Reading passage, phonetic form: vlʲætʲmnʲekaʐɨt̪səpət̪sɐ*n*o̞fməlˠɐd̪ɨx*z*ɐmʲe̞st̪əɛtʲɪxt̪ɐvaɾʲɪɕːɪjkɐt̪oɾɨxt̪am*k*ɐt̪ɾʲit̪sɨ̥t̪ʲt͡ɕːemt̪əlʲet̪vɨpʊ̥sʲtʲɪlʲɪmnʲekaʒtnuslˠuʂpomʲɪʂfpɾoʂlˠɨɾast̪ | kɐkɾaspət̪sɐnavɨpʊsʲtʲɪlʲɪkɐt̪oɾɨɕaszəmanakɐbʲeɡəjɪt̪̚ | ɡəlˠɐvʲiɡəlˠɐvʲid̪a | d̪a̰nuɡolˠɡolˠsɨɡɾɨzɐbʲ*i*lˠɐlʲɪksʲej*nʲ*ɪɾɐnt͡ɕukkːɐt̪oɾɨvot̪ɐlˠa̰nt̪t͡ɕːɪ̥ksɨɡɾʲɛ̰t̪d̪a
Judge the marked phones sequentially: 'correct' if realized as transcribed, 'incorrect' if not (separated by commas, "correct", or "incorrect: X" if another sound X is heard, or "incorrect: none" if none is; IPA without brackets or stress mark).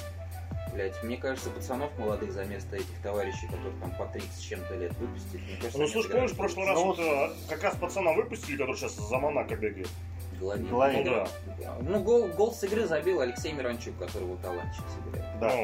correct, correct, incorrect: p, correct, incorrect: mʲ